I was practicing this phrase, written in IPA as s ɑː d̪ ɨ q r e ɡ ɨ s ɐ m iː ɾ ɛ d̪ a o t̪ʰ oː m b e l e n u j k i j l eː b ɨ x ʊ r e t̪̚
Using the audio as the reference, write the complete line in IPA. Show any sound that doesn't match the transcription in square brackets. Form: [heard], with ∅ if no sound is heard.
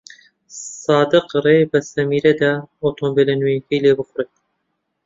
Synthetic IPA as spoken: s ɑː d̪ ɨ q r e [b] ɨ s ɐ m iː ɾ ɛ d̪ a o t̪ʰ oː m b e l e n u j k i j l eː b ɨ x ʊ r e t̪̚